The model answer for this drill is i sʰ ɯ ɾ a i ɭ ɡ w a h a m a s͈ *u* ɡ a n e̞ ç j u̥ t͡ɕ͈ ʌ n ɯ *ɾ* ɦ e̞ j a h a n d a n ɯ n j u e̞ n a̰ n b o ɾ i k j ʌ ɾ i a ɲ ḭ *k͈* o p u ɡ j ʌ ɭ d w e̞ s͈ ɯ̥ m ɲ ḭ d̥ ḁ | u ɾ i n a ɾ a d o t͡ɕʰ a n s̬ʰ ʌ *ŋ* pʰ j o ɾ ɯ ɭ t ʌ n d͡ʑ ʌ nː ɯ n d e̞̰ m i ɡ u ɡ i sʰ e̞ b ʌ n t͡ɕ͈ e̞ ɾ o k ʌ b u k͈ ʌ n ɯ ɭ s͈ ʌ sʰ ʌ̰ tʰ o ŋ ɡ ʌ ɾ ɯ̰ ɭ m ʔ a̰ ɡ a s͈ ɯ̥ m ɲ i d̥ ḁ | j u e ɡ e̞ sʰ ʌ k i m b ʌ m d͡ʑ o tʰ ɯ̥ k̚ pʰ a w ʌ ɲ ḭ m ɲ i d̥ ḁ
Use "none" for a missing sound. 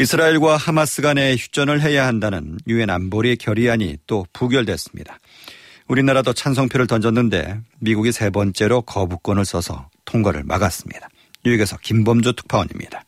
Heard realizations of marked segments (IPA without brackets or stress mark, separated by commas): ɯ, ɭ, t͈, ŋ